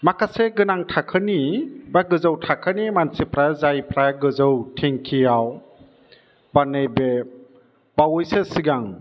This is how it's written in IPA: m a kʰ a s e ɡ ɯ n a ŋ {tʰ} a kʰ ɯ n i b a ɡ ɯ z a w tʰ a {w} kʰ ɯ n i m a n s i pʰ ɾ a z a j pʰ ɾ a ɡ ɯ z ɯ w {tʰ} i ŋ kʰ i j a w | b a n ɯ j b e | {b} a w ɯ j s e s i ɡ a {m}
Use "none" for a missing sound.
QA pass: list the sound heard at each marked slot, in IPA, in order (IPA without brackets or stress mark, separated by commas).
tʰ, none, tʰ, b, ŋ